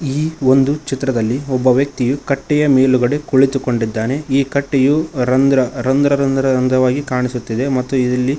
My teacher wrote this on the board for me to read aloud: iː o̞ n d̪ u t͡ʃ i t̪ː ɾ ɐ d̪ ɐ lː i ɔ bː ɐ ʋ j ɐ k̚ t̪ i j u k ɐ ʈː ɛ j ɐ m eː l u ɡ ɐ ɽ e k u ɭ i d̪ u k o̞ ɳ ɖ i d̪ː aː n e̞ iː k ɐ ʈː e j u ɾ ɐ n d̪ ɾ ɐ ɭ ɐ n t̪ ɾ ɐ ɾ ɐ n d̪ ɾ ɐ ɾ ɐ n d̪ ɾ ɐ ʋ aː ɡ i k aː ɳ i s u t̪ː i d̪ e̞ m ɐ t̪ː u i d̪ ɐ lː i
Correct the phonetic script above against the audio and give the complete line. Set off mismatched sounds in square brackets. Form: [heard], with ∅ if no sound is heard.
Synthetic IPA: iː o̞ n d̪ u t͡ʃ i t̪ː ɾ ɐ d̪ ɐ lː i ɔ bː ɐ ʋ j ɐ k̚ t̪ i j u k ɐ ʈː ɛ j ɐ m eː l u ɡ ɐ ɽ e k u ɭ i [t̪] u k o̞ ɳ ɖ i d̪ː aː n e̞ iː k ɐ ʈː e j u ɾ ɐ n d̪ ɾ ɐ [ɾ] ɐ n [d̪] ɾ ɐ ɾ ɐ n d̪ ɾ ɐ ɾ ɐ n d̪ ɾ ɐ ʋ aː ɡ i k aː ɳ i s u t̪ː i d̪ e̞ m ɐ t̪ː u i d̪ ɐ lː i